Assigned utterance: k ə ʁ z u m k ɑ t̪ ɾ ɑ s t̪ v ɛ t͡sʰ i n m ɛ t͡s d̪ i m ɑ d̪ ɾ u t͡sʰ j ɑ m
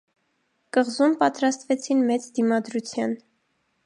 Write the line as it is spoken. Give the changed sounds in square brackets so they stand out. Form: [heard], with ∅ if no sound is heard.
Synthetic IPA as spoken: k ə ʁ z u m [p] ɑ t̪ ɾ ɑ s t̪ v ɛ t͡sʰ i n m ɛ t͡s d̪ i m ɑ d̪ ɾ u t͡sʰ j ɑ [n]